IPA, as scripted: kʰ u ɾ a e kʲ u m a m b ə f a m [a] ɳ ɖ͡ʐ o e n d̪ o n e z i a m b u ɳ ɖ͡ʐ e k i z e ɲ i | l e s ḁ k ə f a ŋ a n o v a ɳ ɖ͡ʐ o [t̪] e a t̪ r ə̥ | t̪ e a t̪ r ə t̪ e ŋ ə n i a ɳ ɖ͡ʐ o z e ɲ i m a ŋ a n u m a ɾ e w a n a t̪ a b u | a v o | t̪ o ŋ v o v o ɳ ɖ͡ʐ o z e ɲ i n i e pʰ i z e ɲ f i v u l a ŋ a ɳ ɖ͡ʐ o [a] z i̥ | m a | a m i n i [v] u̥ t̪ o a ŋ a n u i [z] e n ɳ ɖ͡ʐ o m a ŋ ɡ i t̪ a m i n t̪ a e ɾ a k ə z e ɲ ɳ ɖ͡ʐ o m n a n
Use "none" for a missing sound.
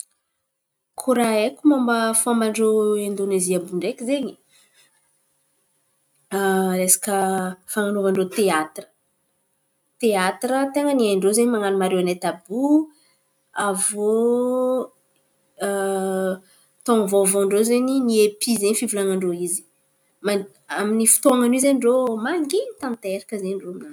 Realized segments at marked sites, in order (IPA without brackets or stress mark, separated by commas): a, t̪, i, f, z